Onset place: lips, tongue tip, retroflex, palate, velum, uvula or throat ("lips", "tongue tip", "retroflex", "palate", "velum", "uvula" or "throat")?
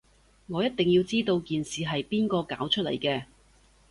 velum